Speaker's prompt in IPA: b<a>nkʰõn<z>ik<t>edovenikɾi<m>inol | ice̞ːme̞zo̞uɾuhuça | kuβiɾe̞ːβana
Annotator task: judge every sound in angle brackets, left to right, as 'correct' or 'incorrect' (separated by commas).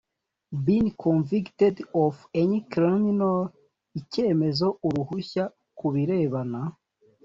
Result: incorrect, incorrect, correct, correct